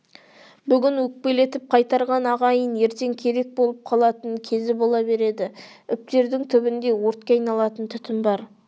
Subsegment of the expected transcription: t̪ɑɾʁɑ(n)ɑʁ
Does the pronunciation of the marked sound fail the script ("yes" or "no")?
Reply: no